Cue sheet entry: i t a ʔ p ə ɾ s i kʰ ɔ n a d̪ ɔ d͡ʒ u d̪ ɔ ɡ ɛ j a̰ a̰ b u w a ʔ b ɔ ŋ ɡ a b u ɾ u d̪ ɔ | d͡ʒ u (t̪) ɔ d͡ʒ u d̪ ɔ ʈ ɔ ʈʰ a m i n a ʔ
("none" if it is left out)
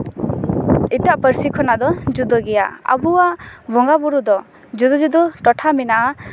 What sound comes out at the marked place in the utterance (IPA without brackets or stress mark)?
d̪